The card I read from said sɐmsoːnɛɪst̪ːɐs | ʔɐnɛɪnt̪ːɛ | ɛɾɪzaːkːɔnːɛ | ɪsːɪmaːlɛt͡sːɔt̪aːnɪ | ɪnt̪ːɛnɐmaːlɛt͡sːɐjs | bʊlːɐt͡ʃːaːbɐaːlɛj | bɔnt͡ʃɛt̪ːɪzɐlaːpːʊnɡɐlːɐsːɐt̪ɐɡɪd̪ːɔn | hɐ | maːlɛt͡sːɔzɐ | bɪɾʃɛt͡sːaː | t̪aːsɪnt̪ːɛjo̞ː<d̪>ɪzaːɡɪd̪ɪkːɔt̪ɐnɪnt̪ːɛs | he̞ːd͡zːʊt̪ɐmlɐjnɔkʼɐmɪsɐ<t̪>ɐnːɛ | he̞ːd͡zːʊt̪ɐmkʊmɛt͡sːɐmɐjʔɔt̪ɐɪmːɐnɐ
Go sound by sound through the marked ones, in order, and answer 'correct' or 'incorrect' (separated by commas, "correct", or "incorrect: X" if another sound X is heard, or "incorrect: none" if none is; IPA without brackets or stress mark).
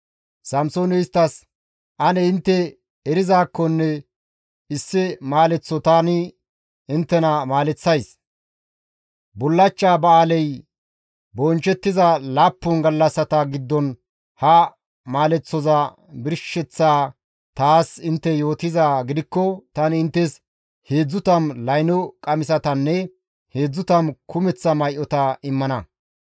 incorrect: t̪, correct